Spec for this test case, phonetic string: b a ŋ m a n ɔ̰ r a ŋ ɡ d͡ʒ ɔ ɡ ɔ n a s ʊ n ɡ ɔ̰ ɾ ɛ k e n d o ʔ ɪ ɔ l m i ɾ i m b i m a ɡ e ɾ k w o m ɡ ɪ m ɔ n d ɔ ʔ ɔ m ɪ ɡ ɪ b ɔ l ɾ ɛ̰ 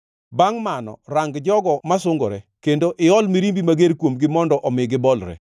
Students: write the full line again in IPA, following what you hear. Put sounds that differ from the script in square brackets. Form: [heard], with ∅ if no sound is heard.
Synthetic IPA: b a ŋ m a n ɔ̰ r a ŋ ɡ d͡ʒ ɔ ɡ ɔ [m] a s ʊ [ŋ] ɡ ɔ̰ ɾ ɛ k e n d o ʔ ɪ ɔ l m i ɾ i m b i m a ɡ e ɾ k w o m ɡ ɪ m ɔ n d ɔ ʔ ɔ m ɪ ɡ ɪ b ɔ l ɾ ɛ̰